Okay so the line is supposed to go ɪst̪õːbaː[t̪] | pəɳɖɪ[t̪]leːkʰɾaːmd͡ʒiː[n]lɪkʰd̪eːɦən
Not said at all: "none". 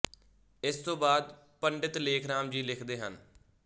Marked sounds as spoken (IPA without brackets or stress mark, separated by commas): d̪, t̪, none